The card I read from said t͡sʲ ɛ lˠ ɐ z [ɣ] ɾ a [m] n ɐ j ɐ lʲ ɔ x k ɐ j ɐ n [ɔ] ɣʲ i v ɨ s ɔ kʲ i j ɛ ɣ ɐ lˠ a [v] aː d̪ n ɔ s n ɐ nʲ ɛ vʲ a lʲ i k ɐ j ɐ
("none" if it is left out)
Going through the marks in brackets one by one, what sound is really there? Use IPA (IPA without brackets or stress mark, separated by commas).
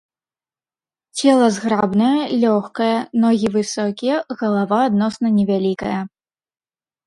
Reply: ɣ, b, ɔ, v